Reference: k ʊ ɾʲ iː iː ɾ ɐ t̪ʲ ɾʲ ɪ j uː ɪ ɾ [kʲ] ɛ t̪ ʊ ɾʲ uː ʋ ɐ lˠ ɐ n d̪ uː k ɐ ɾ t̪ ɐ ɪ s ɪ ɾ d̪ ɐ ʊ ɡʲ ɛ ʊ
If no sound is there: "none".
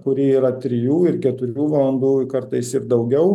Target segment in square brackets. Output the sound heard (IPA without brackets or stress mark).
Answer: kʲ